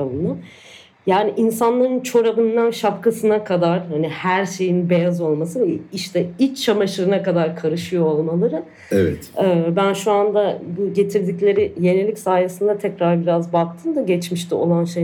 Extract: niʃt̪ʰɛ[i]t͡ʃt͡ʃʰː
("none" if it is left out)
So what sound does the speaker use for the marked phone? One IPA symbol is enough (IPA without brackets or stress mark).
i